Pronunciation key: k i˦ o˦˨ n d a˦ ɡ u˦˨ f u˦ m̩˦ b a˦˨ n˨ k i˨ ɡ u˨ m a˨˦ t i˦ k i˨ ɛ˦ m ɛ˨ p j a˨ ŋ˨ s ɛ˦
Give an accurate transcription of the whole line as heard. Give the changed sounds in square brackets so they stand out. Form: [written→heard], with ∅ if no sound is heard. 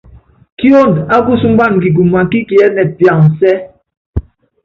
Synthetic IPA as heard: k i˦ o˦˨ n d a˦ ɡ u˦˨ [f→s] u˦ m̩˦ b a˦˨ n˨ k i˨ ɡ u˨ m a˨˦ [t→k] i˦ k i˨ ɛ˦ [m→n] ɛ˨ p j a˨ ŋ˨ s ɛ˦